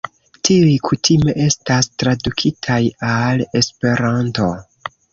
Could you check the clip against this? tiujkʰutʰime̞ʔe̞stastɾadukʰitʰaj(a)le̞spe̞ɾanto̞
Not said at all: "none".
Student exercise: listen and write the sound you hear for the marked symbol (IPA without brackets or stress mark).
a